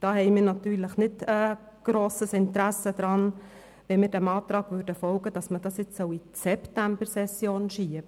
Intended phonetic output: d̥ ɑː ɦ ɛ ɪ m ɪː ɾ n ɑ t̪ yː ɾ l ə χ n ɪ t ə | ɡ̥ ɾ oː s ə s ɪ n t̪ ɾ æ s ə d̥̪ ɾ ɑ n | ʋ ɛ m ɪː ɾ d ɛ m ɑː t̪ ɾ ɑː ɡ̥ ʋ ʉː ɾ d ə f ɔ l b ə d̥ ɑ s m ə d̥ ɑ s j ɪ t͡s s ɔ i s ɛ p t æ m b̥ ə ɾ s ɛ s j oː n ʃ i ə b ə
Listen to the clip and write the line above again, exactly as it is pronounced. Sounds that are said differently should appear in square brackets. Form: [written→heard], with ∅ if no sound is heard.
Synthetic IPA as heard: d̥ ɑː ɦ ɛ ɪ m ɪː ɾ n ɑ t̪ yː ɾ l ə χ n ɪ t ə | ɡ̥ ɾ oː s ə s ɪ n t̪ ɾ æ s ə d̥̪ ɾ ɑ n | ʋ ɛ m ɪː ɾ d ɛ m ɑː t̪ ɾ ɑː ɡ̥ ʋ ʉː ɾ d ə f ɔ l [b→ɡ] ə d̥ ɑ s m ə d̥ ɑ s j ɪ t͡s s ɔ i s ɛ p t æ m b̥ ə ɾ s ɛ s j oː n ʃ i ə b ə

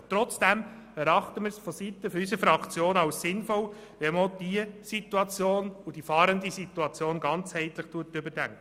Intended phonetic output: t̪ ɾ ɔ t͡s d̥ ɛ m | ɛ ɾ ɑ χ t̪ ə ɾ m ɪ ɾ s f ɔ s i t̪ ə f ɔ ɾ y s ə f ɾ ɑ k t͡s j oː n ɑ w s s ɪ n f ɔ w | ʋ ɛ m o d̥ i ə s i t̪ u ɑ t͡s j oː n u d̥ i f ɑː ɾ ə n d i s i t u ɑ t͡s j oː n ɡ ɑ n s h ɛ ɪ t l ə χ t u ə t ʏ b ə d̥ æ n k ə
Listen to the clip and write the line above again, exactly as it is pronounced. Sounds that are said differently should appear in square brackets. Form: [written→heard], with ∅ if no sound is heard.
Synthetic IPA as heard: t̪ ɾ ɔ t͡s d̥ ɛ m | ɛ ɾ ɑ χ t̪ ə [ɾ→∅] m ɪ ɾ s f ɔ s i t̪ ə f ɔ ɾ y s ə f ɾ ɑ k t͡s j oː n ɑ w s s ɪ n f ɔ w | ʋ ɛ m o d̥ i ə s i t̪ u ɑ t͡s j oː n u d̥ i f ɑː ɾ ə n d i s i t u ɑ t͡s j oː n ɡ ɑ n [s→t͡s] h ɛ ɪ t l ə χ t u ə t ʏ b ə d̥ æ [n→ŋ] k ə

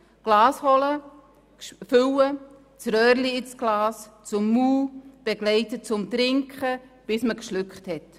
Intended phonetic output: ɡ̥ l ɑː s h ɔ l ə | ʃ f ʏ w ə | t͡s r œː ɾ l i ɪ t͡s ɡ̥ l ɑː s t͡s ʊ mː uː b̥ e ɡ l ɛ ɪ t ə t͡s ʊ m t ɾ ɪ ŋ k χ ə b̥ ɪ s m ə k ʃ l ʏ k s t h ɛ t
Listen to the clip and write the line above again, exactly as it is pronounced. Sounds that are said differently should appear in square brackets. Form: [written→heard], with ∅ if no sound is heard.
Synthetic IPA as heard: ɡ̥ l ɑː s h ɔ l ə | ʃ f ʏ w ə | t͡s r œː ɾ l i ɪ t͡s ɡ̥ l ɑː s t͡s ʊ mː uː b̥ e ɡ l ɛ ɪ t ə t͡s ʊ m t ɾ ɪ ŋ k χ ə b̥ ɪ s m ə k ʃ l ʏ k [s→χ] t h ɛ t

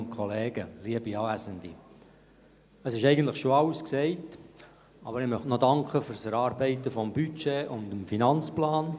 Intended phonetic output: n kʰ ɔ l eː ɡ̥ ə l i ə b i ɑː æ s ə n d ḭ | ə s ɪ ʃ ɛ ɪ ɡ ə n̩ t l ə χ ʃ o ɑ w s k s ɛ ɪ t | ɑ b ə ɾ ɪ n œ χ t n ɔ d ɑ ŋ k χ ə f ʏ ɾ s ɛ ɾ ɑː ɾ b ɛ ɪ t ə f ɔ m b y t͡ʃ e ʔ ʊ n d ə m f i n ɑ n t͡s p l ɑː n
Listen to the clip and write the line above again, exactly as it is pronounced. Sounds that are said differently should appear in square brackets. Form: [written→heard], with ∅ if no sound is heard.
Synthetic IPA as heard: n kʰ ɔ l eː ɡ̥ ə l i ə b i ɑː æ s ə n d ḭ | ə s ɪ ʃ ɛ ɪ ɡ ə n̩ t l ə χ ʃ o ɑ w s k s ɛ ɪ t | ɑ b ə ɾ ɪ [n→m] œ χ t n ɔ d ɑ ŋ k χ ə f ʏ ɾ s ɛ ɾ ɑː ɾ b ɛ ɪ t ə f ɔ m b y t͡ʃ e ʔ ʊ n d ə m f i n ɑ n t͡s p l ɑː n

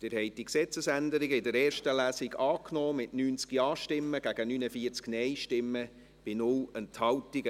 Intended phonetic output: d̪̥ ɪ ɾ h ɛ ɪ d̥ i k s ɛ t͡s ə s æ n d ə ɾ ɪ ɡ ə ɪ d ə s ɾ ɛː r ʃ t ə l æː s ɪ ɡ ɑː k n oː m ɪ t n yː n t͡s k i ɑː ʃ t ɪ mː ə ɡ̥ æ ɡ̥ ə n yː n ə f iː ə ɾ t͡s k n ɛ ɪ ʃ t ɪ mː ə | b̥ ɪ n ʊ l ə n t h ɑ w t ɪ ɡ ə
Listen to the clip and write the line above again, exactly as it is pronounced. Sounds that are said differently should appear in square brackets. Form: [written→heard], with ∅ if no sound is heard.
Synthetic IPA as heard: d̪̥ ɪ ɾ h ɛ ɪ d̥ i k s ɛ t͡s ə s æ n d ə ɾ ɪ ɡ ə ɪ d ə [s→∅] ɾ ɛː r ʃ t ə l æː s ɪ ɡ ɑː k n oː m ɪ t n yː n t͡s k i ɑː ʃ t ɪ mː ə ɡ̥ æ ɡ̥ ə n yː n ə f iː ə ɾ t͡s k n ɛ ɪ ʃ t ɪ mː ə | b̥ ɪ n ʊ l ə n t h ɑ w t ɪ ɡ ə

